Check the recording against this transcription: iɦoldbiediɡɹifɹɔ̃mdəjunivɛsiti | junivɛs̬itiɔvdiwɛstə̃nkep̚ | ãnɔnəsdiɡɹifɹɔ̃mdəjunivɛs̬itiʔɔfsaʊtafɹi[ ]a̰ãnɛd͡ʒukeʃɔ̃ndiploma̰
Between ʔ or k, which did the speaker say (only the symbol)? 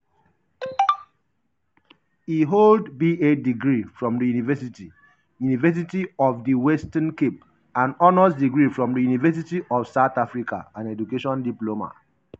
k